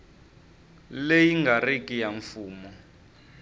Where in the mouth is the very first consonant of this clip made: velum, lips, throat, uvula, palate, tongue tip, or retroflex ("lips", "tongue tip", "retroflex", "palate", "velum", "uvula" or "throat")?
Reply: tongue tip